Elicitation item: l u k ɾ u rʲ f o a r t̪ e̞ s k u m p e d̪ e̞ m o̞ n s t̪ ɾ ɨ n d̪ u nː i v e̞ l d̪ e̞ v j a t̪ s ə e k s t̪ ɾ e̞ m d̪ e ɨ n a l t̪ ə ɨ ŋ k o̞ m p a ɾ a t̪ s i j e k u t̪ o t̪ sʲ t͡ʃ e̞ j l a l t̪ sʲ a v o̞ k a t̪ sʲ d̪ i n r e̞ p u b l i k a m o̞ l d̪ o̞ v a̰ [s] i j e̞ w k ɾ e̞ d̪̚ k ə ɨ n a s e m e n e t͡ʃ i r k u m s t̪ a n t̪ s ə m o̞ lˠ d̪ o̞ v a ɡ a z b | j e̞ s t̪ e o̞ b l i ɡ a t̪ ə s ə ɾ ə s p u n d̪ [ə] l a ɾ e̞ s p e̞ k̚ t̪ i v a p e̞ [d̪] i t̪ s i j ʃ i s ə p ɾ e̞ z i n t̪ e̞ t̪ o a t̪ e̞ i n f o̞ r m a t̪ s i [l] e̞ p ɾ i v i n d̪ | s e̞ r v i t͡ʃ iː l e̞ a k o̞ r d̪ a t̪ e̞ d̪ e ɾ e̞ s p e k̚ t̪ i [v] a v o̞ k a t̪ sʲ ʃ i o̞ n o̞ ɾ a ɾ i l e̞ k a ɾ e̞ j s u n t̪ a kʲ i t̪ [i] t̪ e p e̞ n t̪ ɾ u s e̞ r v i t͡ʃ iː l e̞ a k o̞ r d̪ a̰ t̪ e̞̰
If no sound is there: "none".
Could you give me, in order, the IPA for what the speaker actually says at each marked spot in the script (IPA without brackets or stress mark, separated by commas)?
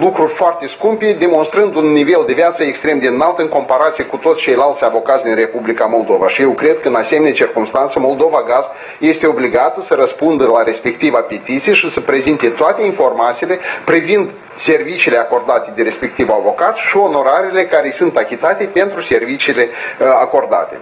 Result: ʃ, ə, t̪, l, v, a